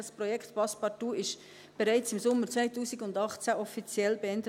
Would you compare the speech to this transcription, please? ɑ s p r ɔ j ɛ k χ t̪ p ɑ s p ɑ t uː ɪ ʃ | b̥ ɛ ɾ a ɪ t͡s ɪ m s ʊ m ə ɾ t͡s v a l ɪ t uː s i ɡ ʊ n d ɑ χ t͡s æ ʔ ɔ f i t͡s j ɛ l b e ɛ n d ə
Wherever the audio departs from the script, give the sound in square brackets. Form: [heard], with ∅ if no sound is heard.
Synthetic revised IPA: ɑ s p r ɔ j ɛ k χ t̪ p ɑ s p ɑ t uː ɪ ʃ | b̥ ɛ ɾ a ɪ t͡s ɪ m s ʊ m ə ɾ t͡s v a [∅] ɪ t uː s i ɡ ʊ n d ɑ χ t͡s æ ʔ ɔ f i t͡s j ɛ l b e ɛ n d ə